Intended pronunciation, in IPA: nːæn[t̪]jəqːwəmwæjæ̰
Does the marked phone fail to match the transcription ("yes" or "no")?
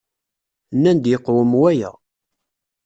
yes